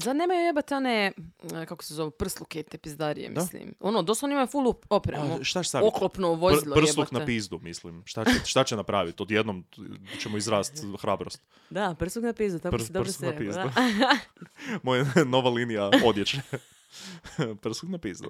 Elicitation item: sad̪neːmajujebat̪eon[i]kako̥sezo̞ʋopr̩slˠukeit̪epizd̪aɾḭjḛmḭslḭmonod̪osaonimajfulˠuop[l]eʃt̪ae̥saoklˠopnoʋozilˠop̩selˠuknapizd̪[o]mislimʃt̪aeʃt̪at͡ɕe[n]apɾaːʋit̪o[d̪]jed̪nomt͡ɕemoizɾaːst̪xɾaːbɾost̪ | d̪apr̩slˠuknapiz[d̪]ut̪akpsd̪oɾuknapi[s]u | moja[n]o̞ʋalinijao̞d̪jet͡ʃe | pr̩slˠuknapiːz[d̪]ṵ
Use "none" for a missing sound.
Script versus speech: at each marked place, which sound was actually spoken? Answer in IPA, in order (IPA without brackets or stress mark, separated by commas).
e, ɾ, u, n, d̪, d̪, z, n, d̪